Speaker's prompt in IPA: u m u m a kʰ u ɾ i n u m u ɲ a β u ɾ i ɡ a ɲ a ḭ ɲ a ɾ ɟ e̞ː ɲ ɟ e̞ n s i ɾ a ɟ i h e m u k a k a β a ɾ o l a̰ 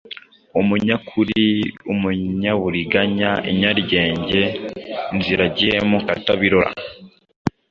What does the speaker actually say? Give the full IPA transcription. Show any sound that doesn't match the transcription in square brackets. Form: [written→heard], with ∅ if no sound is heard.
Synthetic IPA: u m u [m→ɲ] a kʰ u ɾ i [n→∅] u m u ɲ a β u ɾ i ɡ a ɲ a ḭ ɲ a ɾ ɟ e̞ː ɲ ɟ e̞ n [s→z] i ɾ a ɟ i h e m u k a [k→t] a β [a→i] ɾ o [l→ɾ] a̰